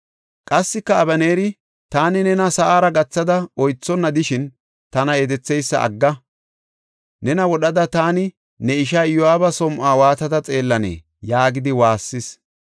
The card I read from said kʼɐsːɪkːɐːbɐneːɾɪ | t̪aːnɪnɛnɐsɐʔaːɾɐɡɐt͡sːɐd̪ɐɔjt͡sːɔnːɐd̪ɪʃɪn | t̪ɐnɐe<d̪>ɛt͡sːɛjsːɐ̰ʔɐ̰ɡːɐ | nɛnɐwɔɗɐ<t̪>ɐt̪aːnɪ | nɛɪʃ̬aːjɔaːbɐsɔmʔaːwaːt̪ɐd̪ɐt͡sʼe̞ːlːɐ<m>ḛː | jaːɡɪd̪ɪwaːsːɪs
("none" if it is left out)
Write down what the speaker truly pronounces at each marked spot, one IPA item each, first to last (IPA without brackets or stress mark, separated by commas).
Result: d̪, d̪, n